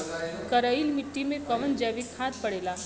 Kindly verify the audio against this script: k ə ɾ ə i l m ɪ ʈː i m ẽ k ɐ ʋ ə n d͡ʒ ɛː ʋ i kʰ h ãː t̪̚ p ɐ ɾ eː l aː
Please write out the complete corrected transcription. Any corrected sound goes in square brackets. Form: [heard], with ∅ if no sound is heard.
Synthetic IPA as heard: k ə ɾ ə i l m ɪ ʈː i m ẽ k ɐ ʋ ə n d͡ʒ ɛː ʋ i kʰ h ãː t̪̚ p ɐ [ɽ] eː l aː